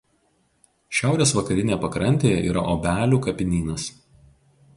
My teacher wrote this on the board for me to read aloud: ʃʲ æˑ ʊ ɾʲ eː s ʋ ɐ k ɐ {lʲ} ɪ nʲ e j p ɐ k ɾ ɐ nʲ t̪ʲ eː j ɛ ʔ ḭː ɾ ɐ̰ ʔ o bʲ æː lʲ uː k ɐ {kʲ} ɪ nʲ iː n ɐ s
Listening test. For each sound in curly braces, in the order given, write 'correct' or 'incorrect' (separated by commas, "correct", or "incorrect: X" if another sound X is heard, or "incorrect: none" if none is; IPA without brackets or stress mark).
incorrect: ɾʲ, incorrect: pʲ